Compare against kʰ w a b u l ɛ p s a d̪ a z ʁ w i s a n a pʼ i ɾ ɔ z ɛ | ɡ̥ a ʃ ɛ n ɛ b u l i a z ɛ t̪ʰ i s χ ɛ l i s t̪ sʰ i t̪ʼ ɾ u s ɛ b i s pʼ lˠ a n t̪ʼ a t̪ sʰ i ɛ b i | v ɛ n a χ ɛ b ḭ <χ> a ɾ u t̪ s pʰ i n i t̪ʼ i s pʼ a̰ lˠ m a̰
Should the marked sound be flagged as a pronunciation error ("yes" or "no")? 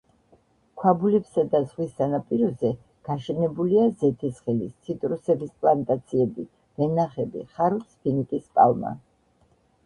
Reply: no